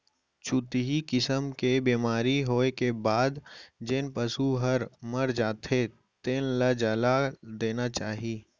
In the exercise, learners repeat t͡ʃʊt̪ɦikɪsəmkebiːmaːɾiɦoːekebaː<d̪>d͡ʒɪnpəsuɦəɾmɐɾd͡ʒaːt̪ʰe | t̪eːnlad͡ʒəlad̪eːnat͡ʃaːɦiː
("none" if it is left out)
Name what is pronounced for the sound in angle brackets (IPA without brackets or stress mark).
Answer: d̪